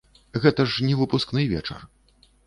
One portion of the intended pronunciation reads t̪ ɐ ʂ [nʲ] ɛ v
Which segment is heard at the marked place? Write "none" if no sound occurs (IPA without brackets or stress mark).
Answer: nʲ